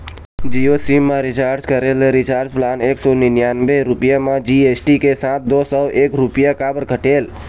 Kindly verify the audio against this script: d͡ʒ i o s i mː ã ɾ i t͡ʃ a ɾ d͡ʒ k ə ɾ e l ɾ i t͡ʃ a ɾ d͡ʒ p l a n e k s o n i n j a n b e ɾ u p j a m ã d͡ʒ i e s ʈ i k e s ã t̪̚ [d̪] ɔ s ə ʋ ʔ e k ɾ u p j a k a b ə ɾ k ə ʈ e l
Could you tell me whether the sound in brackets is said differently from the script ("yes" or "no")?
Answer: no